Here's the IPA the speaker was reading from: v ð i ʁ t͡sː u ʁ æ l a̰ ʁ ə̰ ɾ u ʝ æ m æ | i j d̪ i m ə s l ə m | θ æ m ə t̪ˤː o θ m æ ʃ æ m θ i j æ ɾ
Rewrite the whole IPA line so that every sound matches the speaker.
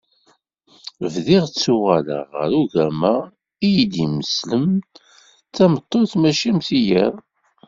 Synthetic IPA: v ð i ʁ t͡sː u ʁ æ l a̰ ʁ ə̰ ɾ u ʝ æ m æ | i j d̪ i m ə s l ə m | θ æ m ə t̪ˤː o θ m æ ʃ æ m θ i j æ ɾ

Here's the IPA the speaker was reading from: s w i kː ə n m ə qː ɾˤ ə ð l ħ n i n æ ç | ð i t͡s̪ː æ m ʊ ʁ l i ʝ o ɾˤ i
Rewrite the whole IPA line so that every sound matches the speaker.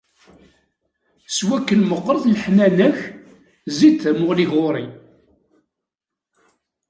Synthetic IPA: s w æ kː ə n m ə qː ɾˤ ə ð l ħ n æ n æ ç | z i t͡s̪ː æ m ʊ ʁ l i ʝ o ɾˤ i

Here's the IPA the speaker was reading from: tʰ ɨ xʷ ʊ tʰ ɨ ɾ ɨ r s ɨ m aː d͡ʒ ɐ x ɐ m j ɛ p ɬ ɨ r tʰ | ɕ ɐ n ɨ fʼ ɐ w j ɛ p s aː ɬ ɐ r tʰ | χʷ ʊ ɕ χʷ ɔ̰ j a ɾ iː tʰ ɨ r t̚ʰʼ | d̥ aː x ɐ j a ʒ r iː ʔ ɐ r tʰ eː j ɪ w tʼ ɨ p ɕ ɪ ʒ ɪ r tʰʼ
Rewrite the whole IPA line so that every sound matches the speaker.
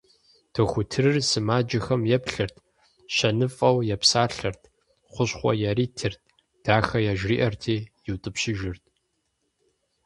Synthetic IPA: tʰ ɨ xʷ ʊ tʰ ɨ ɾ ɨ r s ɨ m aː d͡ʒ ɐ x ɐ m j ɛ p ɬ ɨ r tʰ | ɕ ɐ n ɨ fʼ ɐ w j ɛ p s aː ɬ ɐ r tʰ | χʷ ʊ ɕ χʷ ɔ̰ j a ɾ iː tʰ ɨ r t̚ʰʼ | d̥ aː x ɐ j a ʒ r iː ʔ ɐ r tʰ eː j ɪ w tʼ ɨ p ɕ ɪ ʒ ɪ r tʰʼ

